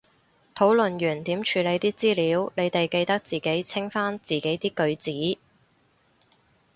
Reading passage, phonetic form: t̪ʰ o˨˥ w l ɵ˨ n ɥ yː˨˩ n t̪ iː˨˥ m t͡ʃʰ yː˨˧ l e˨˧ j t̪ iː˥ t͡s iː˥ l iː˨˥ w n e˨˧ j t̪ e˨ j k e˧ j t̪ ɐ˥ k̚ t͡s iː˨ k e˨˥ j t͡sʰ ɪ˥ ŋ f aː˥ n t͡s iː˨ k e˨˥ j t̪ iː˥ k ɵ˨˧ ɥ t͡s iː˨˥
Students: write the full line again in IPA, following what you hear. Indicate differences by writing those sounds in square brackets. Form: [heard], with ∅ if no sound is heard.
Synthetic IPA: t̪ʰ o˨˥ w l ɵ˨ n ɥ yː˨˩ n t̪ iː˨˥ m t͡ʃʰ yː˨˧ l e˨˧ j t̪ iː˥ t͡s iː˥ l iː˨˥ w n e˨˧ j t̪ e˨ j k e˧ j t̪ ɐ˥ k̚ t͡s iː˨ k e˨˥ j t͡sʰ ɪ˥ ŋ f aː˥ n t͡s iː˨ k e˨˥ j t̪ iː˥ k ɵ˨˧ ɥ t͡s iː˨˥

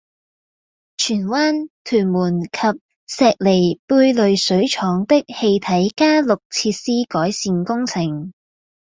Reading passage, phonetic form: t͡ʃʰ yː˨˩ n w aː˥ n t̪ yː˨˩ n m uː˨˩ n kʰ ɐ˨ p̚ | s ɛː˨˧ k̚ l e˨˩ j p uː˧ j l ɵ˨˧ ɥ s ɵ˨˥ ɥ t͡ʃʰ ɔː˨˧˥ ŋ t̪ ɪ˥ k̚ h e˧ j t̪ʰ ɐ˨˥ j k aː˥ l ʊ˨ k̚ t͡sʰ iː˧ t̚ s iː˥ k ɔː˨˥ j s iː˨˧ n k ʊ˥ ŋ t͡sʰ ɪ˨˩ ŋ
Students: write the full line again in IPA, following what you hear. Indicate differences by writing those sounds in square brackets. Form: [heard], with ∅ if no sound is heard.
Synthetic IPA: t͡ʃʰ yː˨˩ n w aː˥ n [t̪ʰ] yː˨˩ n m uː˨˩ n kʰ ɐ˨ p̚ | s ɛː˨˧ k̚ l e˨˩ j p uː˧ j l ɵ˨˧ ɥ s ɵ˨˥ ɥ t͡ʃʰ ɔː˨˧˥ ŋ t̪ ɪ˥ k̚ h e˧ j t̪ʰ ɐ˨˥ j k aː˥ l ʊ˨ k̚ t͡sʰ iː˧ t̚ s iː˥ k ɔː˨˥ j s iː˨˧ n k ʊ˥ ŋ t͡sʰ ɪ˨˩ ŋ

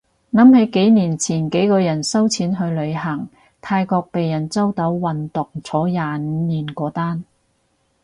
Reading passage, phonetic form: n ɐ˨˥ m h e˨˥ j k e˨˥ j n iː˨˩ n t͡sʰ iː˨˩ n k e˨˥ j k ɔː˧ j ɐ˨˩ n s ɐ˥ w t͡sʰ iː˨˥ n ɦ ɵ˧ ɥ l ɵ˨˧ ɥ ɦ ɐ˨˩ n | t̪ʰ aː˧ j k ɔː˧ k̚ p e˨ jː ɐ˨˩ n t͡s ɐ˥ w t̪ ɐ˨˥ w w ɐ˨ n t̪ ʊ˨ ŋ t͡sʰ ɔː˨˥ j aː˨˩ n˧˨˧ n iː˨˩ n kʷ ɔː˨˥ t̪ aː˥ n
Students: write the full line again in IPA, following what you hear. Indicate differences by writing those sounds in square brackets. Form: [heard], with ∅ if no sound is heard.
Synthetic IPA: n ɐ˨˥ m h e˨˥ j k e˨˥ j n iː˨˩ n t͡sʰ iː˨˩ n k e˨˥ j k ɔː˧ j ɐ˨˩ n s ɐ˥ w t͡sʰ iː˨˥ n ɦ ɵ˧ ɥ l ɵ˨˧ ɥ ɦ ɐ˨˩ [ŋ] | t̪ʰ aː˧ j k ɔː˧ k̚ p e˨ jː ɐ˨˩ n t͡s ɐ˥ w t̪ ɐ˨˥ w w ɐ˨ n t̪ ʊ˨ ŋ t͡sʰ ɔː˨˥ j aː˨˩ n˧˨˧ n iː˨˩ n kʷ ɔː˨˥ t̪ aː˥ n

